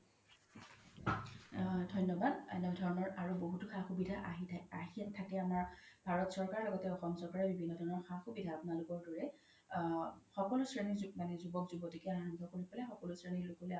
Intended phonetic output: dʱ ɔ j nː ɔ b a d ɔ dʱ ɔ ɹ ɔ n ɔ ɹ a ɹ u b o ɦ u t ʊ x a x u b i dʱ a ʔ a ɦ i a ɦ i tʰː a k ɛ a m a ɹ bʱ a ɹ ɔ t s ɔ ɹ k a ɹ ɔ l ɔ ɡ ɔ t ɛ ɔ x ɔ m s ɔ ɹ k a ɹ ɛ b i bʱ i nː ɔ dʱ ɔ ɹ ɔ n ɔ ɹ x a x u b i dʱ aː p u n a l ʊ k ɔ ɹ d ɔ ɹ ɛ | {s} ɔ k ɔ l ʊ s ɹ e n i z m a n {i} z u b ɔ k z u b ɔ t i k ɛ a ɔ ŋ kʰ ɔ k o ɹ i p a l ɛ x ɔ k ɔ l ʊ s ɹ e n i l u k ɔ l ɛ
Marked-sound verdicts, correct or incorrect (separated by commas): incorrect, incorrect